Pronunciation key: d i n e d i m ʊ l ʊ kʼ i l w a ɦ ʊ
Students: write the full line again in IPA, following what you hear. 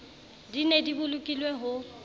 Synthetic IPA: d i n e d i b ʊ l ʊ kʼ i l w e ɦ ʊ